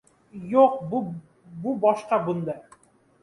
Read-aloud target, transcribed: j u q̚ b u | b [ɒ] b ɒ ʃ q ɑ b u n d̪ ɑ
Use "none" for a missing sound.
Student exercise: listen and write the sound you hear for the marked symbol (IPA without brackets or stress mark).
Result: u